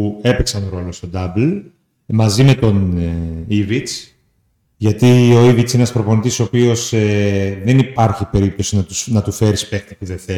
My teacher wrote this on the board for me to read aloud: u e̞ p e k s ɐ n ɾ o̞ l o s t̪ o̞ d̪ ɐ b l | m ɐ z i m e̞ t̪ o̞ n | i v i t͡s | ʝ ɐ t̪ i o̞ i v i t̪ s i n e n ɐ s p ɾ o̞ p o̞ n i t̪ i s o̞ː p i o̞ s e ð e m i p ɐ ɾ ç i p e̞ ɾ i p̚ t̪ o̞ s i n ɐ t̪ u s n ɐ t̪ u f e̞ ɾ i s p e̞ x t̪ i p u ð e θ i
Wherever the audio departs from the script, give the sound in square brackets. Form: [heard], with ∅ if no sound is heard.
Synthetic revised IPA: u e̞ p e k s ɐ n ɾ o̞ l o s t̪ o̞ d̪ ɐ b l | m ɐ z i m e̞ t̪ o̞ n | i v i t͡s | ʝ ɐ t̪ i o̞ i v i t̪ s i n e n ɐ s p ɾ o̞ p o̞ n i t̪ i s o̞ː p i o̞ s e ð e [n] i p ɐ ɾ ç i p e̞ ɾ i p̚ t̪ o̞ s i n ɐ t̪ u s n ɐ t̪ u f e̞ ɾ i s p e̞ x t̪ i p u ð e θ [e]